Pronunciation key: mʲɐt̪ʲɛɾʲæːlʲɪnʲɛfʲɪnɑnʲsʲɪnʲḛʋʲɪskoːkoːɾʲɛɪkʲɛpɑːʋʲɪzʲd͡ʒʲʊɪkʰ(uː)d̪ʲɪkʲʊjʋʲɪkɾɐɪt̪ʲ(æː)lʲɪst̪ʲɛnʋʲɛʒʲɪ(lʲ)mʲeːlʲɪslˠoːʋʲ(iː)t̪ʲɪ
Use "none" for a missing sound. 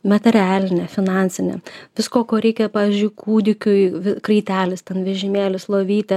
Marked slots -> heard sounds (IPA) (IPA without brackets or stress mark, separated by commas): uː, æː, none, iː